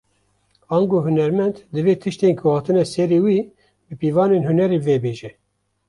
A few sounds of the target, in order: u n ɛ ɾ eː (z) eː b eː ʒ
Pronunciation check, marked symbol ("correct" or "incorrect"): incorrect